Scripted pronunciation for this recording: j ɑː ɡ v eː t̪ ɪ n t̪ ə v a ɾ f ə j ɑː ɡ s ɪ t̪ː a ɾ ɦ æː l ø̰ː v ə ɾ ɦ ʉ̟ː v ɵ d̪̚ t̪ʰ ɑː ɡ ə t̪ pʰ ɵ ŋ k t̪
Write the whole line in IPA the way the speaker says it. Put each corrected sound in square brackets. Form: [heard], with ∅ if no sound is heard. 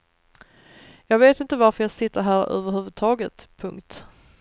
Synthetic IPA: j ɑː ɡ v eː t̪ ɪ n t̪ ə v a ɾ f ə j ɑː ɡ s ɪ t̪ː [ə] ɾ ɦ æː [ɾ] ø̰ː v ə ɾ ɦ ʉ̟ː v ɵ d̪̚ t̪ʰ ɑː ɡ ə t̪ pʰ ɵ ŋ k t̪